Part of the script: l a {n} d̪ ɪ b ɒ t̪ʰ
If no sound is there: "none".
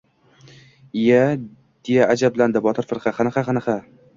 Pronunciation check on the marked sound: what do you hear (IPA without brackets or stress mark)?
n